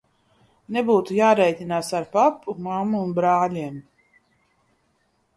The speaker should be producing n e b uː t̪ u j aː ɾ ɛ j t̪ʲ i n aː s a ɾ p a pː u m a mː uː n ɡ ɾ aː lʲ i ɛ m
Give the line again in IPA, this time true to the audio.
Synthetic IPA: n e b uː t̪ u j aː ɾ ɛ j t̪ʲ i n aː s a ɾ p a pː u m a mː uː n b ɾ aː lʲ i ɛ m